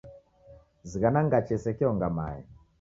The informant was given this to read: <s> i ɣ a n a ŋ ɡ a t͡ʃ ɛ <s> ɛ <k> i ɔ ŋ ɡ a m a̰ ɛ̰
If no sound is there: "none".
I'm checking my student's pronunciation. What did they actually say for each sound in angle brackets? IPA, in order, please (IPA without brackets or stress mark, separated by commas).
z, s, k